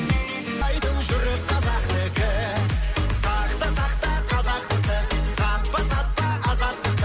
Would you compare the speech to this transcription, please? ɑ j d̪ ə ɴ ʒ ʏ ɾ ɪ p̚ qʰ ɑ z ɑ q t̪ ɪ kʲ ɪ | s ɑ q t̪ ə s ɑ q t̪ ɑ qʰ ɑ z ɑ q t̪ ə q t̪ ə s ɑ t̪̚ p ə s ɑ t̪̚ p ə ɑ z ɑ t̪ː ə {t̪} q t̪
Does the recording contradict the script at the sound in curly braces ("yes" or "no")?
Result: yes